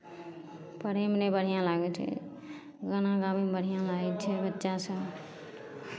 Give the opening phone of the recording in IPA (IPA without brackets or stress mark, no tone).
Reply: p